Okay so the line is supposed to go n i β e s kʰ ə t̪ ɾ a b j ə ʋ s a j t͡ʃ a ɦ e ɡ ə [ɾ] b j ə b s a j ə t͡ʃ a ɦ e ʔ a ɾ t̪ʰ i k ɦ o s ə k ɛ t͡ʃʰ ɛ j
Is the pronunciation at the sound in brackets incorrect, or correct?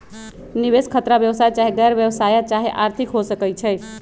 correct